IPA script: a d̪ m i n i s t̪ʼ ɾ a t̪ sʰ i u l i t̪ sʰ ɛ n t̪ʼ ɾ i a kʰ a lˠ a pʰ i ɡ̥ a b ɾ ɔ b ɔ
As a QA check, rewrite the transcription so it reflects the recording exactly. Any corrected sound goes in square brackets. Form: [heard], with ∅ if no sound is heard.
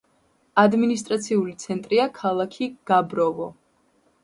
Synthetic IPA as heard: a d̪ m i n i s t̪ʼ ɾ a t̪ sʰ i u l i t̪ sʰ ɛ n t̪ʼ ɾ i a kʰ a lˠ a [kʰ] i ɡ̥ a b ɾ ɔ [v] ɔ